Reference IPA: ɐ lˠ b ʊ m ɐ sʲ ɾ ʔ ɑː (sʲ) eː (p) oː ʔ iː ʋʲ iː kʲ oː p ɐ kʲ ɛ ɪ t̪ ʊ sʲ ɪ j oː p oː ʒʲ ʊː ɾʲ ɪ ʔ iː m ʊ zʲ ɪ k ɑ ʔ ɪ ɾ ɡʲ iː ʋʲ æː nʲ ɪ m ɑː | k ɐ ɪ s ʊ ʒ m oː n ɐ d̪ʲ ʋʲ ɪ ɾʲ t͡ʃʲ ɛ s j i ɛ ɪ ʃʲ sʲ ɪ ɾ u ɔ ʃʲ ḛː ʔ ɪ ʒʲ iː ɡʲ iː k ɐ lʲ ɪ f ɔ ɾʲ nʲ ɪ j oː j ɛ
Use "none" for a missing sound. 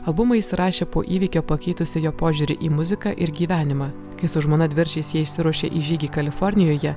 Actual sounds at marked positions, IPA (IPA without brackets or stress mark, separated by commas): ʃʲ, p